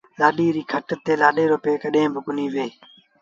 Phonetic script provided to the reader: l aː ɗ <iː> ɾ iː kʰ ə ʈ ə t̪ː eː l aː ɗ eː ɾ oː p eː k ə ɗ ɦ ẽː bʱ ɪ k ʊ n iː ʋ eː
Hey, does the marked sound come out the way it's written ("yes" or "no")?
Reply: yes